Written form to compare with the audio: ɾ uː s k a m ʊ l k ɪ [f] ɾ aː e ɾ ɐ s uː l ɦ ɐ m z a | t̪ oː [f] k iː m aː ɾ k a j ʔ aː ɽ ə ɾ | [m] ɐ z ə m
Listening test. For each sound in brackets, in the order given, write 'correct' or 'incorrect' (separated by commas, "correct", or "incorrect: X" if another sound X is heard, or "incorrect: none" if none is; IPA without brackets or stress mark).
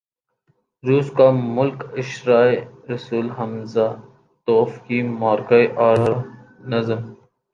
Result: incorrect: ʃ, correct, incorrect: n